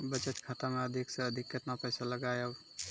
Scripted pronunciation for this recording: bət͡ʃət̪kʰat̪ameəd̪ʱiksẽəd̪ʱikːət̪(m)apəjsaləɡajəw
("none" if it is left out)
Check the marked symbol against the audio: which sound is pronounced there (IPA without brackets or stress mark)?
n